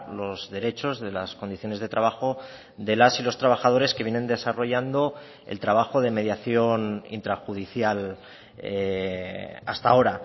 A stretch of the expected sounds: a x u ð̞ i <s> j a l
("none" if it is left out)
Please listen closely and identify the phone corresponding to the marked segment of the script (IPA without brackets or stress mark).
θ